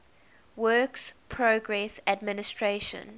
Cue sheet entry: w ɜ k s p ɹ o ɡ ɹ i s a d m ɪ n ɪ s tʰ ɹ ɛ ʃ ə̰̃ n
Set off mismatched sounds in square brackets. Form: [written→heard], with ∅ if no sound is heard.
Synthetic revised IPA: w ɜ k s [p→pʰ] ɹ o ɡ ɹ [i→ɛ] s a d m ɪ n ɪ s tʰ ɹ [ɛ→e] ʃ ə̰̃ n